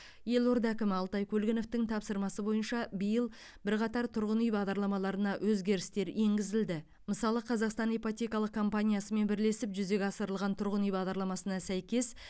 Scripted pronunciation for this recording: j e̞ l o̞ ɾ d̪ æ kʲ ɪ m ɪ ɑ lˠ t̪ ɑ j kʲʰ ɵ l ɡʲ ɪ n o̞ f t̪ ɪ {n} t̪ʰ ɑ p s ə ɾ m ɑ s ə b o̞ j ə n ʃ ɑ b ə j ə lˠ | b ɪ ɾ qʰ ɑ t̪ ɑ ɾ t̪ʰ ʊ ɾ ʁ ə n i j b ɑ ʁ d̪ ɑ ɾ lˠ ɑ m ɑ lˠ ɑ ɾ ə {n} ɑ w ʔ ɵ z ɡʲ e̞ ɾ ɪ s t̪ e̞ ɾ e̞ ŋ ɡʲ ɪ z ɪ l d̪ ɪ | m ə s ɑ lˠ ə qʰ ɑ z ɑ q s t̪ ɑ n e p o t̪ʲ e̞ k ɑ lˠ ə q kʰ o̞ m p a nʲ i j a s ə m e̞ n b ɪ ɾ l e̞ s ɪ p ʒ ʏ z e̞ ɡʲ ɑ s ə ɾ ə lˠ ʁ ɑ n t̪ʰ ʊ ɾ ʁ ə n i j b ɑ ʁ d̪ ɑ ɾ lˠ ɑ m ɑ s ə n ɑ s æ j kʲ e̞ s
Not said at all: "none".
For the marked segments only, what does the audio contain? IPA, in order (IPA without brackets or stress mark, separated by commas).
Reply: ŋ, n